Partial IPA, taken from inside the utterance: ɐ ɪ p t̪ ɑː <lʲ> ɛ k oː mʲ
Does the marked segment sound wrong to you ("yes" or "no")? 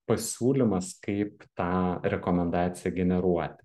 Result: yes